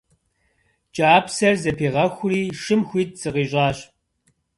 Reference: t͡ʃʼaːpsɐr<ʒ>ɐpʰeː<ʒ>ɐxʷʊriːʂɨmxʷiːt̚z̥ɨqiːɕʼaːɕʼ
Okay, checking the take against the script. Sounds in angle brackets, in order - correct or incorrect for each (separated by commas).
incorrect, incorrect